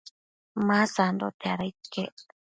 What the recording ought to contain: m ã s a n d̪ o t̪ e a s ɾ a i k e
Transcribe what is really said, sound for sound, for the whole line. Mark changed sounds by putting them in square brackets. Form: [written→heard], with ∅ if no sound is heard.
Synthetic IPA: m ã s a n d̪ o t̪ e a [s→∅] ɾ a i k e